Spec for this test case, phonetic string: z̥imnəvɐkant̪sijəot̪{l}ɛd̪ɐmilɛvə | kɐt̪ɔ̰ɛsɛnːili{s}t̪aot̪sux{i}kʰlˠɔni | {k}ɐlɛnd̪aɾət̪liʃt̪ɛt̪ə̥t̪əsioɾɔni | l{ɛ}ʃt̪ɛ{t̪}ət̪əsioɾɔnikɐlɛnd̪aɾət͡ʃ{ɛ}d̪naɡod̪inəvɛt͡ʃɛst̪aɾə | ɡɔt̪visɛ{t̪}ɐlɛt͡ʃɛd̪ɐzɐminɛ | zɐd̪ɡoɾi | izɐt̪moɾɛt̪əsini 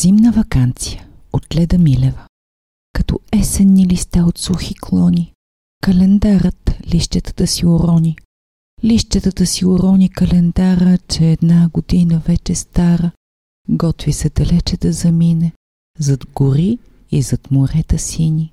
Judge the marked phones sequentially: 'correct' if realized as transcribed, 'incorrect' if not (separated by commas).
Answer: correct, correct, correct, correct, incorrect, correct, incorrect, incorrect